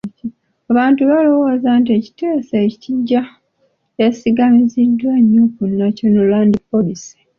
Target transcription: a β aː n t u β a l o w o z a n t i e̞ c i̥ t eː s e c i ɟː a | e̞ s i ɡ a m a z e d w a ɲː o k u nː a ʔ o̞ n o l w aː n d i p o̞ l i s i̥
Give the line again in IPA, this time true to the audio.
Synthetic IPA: a β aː n t u β a l o w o z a n t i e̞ c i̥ t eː s e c i ɟː a | e̞ s i ɡ a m i z i d w a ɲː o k u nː a c o̞ n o l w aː n d i p o̞ l i s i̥